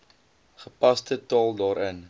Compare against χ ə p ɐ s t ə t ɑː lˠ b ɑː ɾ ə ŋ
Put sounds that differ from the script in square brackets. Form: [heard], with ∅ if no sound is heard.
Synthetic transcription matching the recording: χ ə p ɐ s t ə t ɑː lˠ [d] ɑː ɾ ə [n]